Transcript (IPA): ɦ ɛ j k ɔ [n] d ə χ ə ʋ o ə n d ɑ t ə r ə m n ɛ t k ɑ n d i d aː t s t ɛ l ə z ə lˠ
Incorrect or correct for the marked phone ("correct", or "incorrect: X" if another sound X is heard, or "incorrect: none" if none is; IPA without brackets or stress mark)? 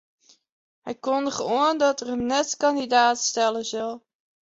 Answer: correct